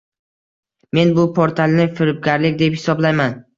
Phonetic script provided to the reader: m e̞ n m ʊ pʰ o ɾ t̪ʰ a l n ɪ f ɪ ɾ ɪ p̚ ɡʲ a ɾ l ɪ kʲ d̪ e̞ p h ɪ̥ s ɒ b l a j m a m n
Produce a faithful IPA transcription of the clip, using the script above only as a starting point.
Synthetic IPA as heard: m e̞ n b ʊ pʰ o ɾ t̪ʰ a l n ɪ f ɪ ɾ ɪ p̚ ɡʲ a ɾ l ɪ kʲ d̪ e̞ p h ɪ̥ s ɒ b l a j m a n